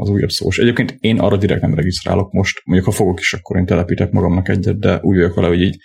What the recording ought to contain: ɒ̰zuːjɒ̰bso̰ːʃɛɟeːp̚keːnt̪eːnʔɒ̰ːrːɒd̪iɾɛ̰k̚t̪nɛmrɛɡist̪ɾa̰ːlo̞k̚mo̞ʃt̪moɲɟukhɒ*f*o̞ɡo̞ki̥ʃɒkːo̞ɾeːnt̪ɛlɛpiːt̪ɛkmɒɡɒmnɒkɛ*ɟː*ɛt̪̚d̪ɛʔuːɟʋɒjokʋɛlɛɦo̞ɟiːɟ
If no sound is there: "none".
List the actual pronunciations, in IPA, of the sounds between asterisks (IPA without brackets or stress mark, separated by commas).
f, ɟː